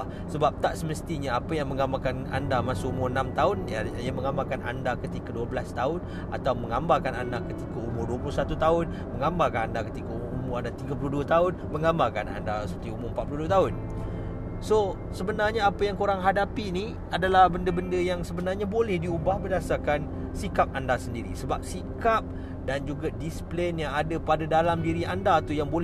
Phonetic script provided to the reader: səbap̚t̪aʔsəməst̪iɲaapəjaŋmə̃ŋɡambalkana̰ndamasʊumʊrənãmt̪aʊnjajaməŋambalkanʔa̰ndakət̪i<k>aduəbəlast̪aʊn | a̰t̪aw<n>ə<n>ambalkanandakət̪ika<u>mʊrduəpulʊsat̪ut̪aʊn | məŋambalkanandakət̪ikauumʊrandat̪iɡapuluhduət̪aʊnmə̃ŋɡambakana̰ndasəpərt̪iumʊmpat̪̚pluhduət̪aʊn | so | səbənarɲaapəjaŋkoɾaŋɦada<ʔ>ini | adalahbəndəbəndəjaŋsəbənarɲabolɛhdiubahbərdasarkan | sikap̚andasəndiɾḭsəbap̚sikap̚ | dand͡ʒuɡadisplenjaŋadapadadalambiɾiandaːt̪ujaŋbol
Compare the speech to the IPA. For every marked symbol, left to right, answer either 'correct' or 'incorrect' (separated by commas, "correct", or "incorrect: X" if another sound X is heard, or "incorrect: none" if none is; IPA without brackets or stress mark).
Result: correct, incorrect: m, incorrect: ŋ, correct, incorrect: p